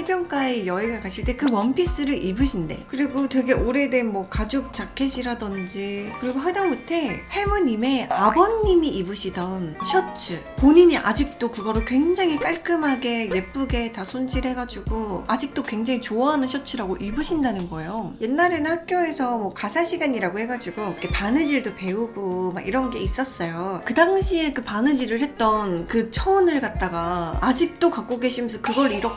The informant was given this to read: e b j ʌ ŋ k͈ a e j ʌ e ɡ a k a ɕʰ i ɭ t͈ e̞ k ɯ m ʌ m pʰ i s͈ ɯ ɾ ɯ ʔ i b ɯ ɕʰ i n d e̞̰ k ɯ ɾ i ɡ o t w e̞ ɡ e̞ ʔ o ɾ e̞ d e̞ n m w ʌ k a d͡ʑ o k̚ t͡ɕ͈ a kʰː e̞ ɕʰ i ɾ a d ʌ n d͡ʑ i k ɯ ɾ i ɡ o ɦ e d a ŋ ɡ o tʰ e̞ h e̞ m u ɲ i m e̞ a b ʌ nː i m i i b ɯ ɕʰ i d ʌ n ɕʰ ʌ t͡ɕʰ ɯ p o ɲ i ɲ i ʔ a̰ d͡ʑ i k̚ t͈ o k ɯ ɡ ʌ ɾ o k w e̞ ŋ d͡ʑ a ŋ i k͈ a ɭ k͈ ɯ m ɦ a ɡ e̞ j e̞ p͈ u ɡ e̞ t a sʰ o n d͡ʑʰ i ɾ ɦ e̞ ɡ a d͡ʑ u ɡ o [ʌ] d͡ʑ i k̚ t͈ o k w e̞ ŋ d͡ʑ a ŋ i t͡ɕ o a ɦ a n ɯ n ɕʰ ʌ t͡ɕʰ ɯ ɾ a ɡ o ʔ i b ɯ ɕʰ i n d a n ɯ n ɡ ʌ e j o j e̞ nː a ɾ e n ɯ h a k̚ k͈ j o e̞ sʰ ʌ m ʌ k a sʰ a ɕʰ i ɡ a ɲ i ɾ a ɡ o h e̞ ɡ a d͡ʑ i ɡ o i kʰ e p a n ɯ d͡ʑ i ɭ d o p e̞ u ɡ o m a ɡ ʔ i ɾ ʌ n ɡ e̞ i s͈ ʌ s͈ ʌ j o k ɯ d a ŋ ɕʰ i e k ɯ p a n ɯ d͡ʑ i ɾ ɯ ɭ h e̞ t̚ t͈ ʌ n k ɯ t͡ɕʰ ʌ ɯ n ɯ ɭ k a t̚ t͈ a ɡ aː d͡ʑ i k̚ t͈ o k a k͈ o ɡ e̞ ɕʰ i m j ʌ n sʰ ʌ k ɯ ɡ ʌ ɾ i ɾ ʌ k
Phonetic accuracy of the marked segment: incorrect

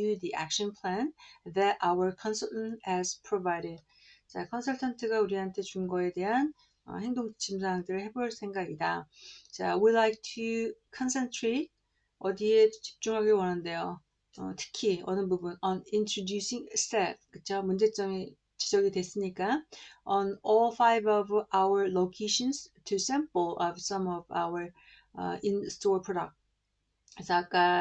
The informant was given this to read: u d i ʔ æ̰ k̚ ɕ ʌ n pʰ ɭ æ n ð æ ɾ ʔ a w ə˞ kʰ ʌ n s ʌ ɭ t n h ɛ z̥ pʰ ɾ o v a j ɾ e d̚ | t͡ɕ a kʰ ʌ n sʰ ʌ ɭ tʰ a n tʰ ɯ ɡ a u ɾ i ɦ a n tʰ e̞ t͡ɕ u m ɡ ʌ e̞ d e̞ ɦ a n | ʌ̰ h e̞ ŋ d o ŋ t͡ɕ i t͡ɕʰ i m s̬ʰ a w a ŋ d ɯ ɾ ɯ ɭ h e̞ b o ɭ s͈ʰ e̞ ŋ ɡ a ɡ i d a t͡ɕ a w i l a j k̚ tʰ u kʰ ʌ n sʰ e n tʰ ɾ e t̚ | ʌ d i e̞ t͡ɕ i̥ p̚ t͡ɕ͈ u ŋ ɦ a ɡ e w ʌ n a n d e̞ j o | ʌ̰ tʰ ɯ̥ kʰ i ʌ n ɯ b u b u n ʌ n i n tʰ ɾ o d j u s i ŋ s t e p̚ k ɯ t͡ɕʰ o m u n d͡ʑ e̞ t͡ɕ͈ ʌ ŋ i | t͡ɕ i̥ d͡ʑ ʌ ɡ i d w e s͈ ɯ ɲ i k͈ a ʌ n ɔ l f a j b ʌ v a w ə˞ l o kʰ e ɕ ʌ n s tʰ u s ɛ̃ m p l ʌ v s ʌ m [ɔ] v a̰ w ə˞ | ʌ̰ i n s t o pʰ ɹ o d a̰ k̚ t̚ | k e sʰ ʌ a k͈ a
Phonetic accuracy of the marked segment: incorrect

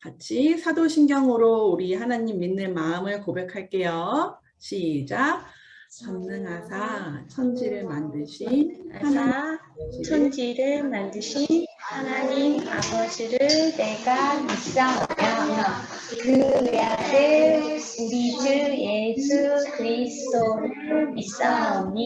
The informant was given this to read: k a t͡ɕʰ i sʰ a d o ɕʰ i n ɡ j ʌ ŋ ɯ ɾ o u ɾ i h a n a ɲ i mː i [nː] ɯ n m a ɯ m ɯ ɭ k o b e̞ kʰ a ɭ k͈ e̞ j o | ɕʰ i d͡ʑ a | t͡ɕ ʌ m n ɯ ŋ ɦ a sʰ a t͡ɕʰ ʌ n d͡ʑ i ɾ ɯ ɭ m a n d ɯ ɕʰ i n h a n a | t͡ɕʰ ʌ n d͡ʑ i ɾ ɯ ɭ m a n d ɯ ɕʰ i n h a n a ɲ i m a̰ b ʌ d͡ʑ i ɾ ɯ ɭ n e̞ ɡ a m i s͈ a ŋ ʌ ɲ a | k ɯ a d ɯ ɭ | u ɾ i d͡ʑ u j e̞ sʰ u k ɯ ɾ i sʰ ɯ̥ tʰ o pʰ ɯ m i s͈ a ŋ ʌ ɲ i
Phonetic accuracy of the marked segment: correct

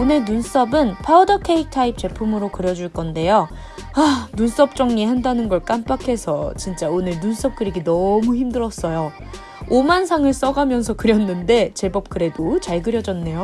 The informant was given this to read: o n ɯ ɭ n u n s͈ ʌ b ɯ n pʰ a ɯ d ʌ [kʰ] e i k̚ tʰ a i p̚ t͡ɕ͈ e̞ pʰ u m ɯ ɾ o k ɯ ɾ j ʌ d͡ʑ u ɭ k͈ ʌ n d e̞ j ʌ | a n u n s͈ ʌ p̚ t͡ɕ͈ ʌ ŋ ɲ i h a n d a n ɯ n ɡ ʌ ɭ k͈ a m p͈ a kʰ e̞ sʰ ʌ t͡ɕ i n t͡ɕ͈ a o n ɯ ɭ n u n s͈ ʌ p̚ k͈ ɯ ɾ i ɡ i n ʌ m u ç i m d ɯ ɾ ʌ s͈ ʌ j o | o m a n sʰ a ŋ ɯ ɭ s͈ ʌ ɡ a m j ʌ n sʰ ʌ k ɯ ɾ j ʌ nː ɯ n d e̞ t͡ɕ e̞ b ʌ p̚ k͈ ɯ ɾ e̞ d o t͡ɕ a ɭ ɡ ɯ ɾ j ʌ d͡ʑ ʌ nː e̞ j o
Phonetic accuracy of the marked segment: correct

